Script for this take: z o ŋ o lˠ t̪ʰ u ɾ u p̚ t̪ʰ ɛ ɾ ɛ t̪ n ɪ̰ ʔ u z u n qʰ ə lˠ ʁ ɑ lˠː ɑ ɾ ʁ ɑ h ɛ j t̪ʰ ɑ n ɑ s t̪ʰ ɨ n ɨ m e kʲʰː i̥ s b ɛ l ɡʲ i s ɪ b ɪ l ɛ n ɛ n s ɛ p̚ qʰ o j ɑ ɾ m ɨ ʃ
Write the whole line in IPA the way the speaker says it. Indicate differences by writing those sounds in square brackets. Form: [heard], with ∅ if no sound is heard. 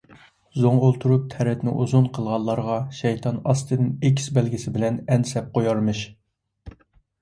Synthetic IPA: z o ŋ o lˠ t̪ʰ u ɾ u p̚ t̪ʰ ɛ ɾ ɛ t̪ n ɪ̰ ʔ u z u n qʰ ə lˠ ʁ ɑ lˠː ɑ ɾ ʁ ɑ [ʃ] ɛ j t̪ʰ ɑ n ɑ s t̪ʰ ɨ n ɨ [n] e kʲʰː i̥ s b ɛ l ɡʲ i s ɪ b ɪ l ɛ n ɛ n s ɛ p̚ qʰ o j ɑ ɾ m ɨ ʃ